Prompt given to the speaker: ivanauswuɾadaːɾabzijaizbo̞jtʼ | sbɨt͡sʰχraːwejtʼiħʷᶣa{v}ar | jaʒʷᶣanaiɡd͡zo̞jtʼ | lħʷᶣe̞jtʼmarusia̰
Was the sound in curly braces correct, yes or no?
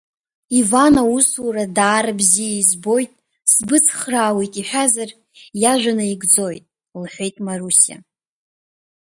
no